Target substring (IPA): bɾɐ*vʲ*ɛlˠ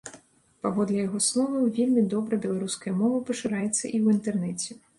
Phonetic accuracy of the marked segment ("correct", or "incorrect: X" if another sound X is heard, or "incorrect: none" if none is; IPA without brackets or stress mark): incorrect: bʲ